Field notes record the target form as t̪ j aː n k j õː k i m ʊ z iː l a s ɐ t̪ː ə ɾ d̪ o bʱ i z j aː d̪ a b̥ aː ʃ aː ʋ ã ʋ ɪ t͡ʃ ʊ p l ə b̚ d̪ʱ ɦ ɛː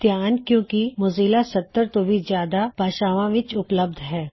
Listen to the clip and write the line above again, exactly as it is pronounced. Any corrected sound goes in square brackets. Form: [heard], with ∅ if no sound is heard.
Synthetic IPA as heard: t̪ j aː n k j õː k i m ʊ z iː l a s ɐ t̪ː ə ɾ [t̪] o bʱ i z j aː d̪ a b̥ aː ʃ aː ʋ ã ʋ ɪ t͡ʃ ʊ p l ə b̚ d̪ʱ ɦ ɛː